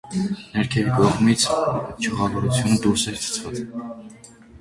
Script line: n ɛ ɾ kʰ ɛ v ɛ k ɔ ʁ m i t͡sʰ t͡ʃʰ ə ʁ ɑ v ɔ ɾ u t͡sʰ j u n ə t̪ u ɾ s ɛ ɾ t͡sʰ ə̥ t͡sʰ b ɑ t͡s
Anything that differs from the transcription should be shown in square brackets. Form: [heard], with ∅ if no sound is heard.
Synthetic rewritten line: n ɛ ɾ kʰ ɛ v [i] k ɔ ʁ m i t͡sʰ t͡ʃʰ ə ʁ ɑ v ɔ ɾ u t͡sʰ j u n ə [d̪] u ɾ s ɛ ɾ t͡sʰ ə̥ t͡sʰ [v] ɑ t͡s